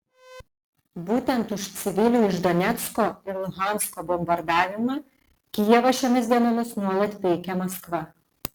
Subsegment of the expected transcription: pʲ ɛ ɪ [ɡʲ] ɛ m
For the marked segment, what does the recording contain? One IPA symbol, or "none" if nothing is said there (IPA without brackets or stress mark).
kʲ